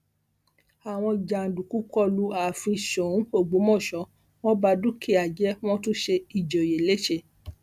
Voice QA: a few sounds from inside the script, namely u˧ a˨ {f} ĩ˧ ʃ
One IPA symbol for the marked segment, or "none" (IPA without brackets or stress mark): f